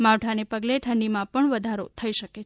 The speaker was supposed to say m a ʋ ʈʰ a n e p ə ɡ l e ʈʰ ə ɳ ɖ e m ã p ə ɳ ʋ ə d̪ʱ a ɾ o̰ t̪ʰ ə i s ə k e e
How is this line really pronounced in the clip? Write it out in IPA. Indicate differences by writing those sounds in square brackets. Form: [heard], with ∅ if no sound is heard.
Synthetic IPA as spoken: m a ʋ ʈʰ a n e p ə ɡ l e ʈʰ ə ɳ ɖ [i] m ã p ə ɳ ʋ ə d̪ʱ a ɾ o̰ t̪ʰ ə i [ʃ] ə k e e